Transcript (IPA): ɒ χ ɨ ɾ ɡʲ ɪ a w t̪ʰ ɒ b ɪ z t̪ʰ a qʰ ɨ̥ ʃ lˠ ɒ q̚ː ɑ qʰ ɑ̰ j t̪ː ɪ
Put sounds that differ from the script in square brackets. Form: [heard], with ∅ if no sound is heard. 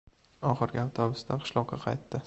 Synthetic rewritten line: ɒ χ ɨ ɾ ɡʲ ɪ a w t̪ʰ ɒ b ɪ [s] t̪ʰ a qʰ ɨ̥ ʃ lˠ ɒ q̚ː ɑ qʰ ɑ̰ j t̪ː ɪ